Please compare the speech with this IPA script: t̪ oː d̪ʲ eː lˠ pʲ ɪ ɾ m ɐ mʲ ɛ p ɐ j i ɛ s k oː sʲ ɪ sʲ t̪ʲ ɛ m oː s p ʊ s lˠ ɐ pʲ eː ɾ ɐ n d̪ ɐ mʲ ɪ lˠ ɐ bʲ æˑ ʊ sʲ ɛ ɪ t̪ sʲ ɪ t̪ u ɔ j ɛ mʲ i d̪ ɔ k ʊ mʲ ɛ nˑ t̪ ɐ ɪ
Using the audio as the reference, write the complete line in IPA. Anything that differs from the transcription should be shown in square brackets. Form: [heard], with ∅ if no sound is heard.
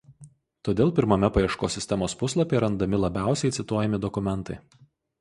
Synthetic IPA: t̪ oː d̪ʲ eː lˠ pʲ ɪ ɾ m ɐ mʲ ɛ p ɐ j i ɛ [ʃ] k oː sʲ ɪ sʲ t̪ʲ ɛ m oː s p ʊ s lˠ ɐ pʲ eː ɾ ɐ n d̪ ɐ mʲ ɪ lˠ ɐ bʲ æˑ ʊ sʲ ɛ ɪ t̪ sʲ ɪ t̪ u ɔ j ɛ mʲ [ɪ] d̪ ɔ k ʊ mʲ ɛ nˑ t̪ ɐ ɪ